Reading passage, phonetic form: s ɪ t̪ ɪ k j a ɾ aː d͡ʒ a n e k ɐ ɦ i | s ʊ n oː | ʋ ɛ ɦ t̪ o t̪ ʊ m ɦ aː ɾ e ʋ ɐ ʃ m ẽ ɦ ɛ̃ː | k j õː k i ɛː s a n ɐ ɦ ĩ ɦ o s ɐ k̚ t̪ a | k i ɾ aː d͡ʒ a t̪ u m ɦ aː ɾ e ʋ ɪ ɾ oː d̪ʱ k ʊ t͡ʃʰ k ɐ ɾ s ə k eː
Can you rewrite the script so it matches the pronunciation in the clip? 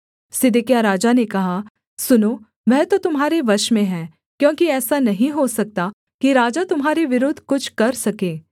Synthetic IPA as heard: s ɪ d̪ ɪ k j a ɾ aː d͡ʒ a n e k ɐ ɦ a | s ʊ n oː | ʋ ɛ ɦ t̪ o t̪ ʊ m ɦ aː ɾ e ʋ ɐ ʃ m ẽ ɦ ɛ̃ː | k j õː k i ɛː s a n ɐ ɦ ĩ ɦ o s ɐ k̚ t̪ a | k i ɾ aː d͡ʒ a t̪ ʊ m ɦ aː ɾ e ʋ ɪ ɾ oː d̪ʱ k ʊ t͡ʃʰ k ɐ ɾ s ɐ k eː